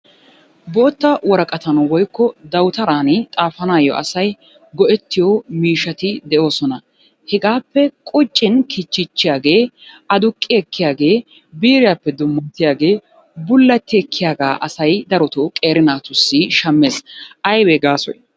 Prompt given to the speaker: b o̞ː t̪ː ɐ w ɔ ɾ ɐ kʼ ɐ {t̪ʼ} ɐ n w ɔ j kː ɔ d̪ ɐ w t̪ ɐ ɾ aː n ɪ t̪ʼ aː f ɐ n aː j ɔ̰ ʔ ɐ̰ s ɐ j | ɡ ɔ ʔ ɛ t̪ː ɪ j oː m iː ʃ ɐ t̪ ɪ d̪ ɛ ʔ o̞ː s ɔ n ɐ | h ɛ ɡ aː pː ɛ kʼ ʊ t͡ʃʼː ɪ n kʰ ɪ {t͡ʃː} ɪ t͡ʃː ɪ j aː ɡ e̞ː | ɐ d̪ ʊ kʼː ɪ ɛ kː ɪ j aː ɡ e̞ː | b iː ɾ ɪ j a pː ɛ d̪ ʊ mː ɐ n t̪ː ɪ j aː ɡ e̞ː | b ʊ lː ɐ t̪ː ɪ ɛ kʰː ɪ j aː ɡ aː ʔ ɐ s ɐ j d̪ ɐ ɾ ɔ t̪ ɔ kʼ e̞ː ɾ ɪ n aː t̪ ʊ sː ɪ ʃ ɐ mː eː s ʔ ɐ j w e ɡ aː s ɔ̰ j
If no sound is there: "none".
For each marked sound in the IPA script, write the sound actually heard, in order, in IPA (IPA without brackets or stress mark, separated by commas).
t̪, t͡ʃː